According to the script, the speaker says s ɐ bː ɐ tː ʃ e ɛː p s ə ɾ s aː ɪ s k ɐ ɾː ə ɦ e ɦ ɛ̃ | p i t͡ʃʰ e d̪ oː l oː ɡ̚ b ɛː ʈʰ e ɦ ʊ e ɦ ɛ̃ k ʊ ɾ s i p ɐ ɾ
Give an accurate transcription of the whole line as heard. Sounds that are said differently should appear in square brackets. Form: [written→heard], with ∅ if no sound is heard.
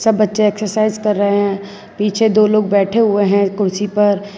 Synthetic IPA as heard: s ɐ bː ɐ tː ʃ e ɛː [p→k] s ə ɾ s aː ɪ [s→z] k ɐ ɾː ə ɦ e ɦ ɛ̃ | p [i→iː] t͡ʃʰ e d̪ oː l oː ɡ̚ b ɛː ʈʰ e ɦ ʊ e ɦ ɛ̃ k ʊ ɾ s i p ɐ ɾ

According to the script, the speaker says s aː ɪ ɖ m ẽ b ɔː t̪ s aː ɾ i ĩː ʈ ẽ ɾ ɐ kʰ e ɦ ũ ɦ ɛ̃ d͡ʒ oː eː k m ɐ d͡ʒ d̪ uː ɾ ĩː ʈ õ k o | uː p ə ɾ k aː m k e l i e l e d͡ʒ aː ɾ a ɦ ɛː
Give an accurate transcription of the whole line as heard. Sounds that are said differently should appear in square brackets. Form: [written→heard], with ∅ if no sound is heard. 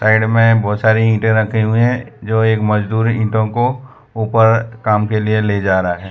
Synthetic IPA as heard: s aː ɪ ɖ m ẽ b ɔː t̪ s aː ɾ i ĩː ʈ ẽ ɾ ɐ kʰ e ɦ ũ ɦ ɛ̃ d͡ʒ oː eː k m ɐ d͡ʒ d̪ uː ɾ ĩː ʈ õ k o | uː p ə ɾ k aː m k e l i e l e d͡ʒ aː ɾ a ɦ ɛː

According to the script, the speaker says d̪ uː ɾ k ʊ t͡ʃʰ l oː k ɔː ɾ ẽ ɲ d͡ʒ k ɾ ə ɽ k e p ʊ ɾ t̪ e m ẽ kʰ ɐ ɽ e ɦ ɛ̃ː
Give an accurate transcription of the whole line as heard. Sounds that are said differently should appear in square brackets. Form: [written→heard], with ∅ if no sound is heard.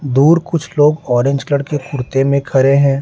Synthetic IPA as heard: d̪ uː ɾ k ʊ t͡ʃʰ l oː [k→ɡ] ɔː ɾ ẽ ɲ d͡ʒ k [ɾ→l] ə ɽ k e [p→k] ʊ ɾ t̪ e m ẽ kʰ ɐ [ɽ→ɾ] e ɦ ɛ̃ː

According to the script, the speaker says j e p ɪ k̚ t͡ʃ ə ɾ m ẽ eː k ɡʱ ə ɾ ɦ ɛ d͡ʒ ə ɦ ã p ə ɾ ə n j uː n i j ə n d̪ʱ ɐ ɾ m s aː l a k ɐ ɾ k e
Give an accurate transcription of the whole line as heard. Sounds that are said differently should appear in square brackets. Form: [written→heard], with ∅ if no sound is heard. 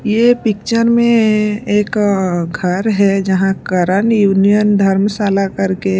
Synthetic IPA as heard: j e p ɪ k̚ t͡ʃ ə ɾ m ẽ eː k ɡʱ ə ɾ ɦ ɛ d͡ʒ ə ɦ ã [p→k] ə ɾ ə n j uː n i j ə n d̪ʱ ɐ ɾ m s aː l a k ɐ ɾ k e

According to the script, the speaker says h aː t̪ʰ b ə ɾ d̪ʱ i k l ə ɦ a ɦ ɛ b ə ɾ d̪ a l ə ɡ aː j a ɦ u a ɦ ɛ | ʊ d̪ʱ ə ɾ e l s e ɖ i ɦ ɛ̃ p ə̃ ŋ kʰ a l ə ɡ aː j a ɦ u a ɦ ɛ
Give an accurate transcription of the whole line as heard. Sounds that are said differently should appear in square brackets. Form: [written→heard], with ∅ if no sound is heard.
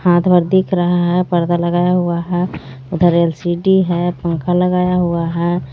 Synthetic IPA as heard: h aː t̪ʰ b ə ɾ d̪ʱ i k [l→ɾ] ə ɦ a ɦ ɛ [b→p] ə ɾ d̪ a l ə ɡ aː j a ɦ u a ɦ ɛ | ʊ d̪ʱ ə ɾ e l s [e→i] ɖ i ɦ [ɛ̃→ɛ] p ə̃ ŋ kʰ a l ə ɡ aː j a ɦ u a ɦ ɛ

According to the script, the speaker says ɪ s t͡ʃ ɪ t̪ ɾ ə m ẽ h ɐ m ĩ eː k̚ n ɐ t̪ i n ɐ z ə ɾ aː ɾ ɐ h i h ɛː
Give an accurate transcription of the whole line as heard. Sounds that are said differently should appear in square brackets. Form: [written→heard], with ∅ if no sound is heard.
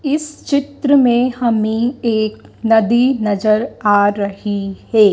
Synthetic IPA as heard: ɪ s t͡ʃ ɪ t̪ ɾ ə m ẽ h ɐ m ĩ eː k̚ n ɐ [t̪→d̪] i n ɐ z ə ɾ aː ɾ ɐ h i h ɛː

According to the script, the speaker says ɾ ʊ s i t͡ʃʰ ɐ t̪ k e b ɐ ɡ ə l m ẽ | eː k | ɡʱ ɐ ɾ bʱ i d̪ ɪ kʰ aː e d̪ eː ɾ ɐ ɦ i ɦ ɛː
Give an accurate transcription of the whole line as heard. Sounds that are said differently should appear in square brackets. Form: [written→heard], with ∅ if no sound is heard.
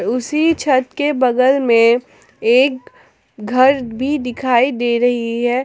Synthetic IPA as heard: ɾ ʊ s i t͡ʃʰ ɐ t̪ k e b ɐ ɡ ə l m ẽ | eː k | ɡʱ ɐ ɾ bʱ i d̪ ɪ kʰ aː [e→i] d̪ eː ɾ ɐ ɦ i ɦ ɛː

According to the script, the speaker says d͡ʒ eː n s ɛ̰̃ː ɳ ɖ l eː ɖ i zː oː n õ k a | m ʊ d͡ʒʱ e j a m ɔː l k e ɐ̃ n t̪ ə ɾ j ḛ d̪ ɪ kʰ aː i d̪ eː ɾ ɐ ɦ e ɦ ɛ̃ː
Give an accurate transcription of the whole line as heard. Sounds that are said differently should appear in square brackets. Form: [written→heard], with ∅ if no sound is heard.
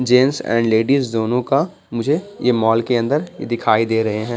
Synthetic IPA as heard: d͡ʒ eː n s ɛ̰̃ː ɳ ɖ l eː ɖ i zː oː n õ k a | m ʊ d͡ʒʱ e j [a→e] m ɔː l k e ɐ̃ n [t̪→d̪] ə ɾ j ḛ d̪ ɪ kʰ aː i d̪ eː ɾ ɐ ɦ e ɦ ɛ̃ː

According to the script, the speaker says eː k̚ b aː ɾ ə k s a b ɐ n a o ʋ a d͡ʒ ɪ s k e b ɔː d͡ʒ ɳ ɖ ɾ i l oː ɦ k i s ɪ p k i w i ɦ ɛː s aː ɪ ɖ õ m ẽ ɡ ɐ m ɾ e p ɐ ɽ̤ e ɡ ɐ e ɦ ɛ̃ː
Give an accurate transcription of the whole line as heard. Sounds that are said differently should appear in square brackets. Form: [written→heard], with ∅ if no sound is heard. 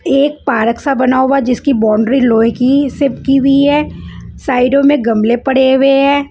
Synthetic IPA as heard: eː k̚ [b→p] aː ɾ ə k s a b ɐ n a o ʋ a d͡ʒ ɪ s k [e→i] b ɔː [d͡ʒ→∅] ɳ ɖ ɾ i l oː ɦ k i s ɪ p k i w i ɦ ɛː s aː ɪ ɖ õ m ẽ ɡ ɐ m [ɾ→l] e p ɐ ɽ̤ e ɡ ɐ e ɦ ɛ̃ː

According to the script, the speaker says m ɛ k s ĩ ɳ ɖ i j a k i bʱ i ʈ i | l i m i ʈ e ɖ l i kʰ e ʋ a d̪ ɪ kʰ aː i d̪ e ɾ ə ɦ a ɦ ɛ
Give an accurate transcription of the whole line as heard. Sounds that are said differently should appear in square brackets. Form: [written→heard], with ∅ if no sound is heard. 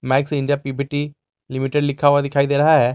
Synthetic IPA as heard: m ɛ k s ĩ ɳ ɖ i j a [k→p] i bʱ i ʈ i | l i m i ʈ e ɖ l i kʰ [e→a] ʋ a d̪ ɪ kʰ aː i d̪ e ɾ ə ɦ a ɦ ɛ

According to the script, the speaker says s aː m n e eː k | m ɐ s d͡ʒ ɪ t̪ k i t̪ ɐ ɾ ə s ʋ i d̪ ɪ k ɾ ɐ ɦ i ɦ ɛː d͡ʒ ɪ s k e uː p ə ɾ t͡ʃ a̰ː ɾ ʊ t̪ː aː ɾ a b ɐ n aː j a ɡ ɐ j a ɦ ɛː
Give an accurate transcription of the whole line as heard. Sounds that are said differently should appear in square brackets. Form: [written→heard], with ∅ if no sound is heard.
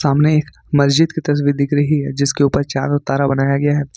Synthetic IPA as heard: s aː m n e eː k | m ɐ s d͡ʒ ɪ [t̪→d̪] k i t̪ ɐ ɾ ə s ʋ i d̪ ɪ k ɾ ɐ ɦ i ɦ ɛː d͡ʒ ɪ s k e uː p ə ɾ t͡ʃ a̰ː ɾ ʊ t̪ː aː ɾ a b ɐ n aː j a ɡ ɐ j a ɦ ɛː

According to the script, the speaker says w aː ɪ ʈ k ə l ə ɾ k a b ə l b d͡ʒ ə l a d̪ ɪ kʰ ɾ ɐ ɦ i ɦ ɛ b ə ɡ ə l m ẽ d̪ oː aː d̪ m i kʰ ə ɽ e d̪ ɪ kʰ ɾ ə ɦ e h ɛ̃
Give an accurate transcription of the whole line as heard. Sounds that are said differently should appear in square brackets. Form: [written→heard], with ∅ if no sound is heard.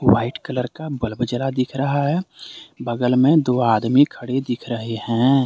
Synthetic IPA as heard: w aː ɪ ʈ k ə l ə ɾ k a b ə l b d͡ʒ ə l a d̪ ɪ kʰ ɾ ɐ ɦ [i→a] ɦ ɛ b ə ɡ ə l m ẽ d̪ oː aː d̪ m i kʰ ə ɽ e d̪ ɪ kʰ ɾ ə ɦ e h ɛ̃

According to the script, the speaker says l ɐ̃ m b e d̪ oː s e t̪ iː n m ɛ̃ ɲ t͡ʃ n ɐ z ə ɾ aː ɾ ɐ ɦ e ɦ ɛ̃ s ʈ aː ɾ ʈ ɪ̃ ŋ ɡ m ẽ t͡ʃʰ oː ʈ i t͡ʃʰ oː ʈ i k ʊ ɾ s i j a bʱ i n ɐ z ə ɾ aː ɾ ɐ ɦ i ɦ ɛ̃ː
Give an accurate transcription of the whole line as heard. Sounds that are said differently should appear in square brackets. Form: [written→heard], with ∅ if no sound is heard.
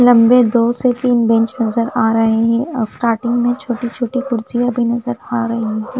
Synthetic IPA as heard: l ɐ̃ m b e d̪ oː s e t̪ iː n [m→b] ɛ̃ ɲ t͡ʃ n ɐ z ə ɾ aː ɾ ɐ ɦ e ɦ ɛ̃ s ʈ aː ɾ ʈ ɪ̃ ŋ ɡ m ẽ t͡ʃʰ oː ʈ i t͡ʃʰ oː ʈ i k ʊ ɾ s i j a bʱ i n ɐ z ə ɾ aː ɾ ɐ ɦ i ɦ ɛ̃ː

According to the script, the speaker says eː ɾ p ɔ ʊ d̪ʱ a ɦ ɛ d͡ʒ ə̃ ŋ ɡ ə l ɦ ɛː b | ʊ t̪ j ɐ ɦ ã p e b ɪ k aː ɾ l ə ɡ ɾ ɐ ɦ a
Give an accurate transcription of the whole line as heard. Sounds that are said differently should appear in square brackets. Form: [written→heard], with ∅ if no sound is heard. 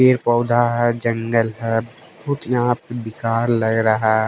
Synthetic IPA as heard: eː ɾ p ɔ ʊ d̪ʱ a ɦ ɛ d͡ʒ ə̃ ŋ ɡ ə l ɦ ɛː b | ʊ t̪ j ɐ ɦ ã p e b ɪ k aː ɾ l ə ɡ ɾ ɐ ɦ a

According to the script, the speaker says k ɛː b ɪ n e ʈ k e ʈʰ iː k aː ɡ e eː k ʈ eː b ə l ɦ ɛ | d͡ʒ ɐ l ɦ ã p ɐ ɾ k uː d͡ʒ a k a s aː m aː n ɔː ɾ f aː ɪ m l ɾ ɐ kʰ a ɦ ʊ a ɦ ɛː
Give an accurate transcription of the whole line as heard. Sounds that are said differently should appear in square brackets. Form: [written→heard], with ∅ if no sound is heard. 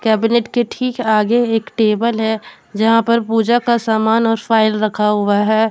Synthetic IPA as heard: k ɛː b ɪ n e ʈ k e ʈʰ iː k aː ɡ e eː k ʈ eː b ə l ɦ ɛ | d͡ʒ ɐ [l→∅] ɦ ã p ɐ ɾ [k→p] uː d͡ʒ a k a s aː m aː n ɔː ɾ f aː ɪ [m→∅] l ɾ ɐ kʰ a ɦ ʊ a ɦ ɛː

